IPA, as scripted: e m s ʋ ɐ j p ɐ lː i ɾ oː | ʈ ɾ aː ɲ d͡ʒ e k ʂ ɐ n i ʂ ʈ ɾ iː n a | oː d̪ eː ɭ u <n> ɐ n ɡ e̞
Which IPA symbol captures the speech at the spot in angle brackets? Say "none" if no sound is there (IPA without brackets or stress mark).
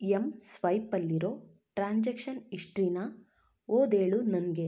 n